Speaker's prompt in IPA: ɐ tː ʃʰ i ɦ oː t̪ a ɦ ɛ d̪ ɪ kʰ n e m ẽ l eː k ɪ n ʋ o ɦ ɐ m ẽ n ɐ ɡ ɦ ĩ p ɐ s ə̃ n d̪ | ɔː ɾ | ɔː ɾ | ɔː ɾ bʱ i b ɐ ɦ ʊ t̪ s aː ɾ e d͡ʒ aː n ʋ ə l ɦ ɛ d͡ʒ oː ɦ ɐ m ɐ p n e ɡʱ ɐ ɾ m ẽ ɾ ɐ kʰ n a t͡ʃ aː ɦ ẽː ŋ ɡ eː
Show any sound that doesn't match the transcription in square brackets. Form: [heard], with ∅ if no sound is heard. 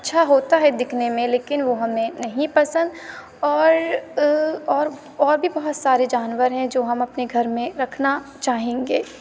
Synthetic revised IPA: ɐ tː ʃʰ [a] ɦ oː t̪ a ɦ ɛ d̪ ɪ kʰ n e m ẽ l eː k ɪ n ʋ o ɦ ɐ m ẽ n ɐ [∅] ɦ ĩ p ɐ s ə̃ n d̪ | ɔː ɾ | ɔː ɾ | ɔː ɾ bʱ i b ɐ ɦ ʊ t̪ s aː ɾ e d͡ʒ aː n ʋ ə [ɾ] ɦ [ɛ̃] d͡ʒ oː ɦ ɐ m ɐ p n e ɡʱ ɐ ɾ m ẽ ɾ ɐ kʰ n a t͡ʃ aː ɦ ẽː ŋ ɡ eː